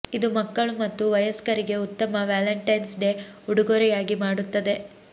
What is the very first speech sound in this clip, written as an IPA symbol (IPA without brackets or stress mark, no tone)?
i